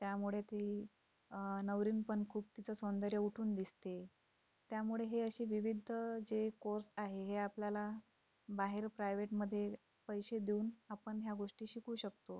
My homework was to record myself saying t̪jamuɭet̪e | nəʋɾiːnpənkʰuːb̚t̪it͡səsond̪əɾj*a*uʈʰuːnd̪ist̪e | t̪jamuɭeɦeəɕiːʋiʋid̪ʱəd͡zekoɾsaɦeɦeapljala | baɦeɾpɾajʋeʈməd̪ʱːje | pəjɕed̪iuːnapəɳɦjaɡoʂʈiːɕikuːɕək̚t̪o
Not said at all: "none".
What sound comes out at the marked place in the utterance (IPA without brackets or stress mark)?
ə